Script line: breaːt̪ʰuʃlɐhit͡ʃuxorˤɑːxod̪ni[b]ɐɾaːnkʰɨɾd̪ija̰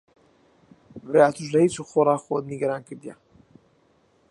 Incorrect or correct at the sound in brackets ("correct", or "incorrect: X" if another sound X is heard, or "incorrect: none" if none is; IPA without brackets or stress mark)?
incorrect: ɡ